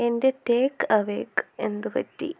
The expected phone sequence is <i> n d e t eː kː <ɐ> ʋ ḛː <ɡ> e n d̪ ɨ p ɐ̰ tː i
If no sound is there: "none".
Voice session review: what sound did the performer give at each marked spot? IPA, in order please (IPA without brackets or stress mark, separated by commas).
e, ɐ, k